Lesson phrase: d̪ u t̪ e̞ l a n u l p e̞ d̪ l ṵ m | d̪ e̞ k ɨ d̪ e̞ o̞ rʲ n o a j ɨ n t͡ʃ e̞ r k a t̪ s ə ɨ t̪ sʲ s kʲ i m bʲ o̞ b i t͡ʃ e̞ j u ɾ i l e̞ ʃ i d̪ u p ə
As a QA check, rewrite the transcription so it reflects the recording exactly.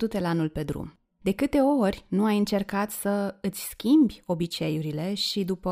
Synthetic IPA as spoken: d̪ u t̪ e̞ l a n u l p e̞ d̪ ɾ ṵ m | d̪ e̞ k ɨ t̪ e̞ o̞ rʲ n u a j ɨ n t͡ʃ e̞ r k a t̪ s ə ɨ t̪ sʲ s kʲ i m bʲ o̞ b i t͡ʃ e̞ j u ɾ i l e̞ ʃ i d̪ u p ə